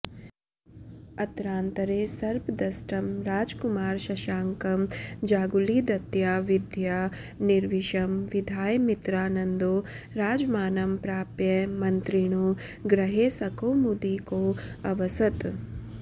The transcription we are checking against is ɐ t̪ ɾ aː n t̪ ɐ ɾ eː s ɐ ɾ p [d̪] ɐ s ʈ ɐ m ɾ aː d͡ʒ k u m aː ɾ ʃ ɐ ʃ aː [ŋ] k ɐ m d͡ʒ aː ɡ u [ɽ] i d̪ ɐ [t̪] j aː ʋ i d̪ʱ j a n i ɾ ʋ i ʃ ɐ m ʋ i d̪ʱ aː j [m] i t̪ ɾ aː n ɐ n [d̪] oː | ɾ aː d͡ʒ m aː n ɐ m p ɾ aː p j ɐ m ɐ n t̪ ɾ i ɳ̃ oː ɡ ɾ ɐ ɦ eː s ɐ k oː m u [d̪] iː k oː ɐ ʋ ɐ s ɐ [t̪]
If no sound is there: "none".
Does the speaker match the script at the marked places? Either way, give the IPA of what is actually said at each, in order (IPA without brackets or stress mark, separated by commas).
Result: d̪, ŋ, l, t̪, m, d̪, d̪, t̪